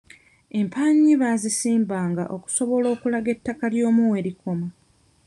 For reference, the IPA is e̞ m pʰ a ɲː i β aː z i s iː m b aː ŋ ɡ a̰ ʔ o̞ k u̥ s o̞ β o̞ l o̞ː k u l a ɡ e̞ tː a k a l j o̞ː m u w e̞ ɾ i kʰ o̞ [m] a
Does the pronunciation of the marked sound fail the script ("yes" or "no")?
no